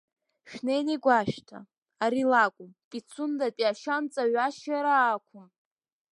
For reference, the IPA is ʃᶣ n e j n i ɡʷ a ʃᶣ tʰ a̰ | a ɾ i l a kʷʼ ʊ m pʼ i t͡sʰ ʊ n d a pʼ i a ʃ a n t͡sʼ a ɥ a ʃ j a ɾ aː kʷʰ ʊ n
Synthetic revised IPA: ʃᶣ n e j n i ɡʷ a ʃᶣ tʰ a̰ | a ɾ i l a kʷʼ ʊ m pʼ i t͡sʰ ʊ n d a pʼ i a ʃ a n t͡sʼ a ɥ a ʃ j a ɾ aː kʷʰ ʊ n

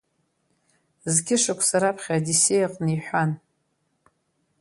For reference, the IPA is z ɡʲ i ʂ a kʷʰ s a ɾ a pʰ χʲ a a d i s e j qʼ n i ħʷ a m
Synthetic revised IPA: z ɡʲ ɪ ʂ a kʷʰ s a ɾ a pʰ χʲ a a d i s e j qʼ n i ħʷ a n

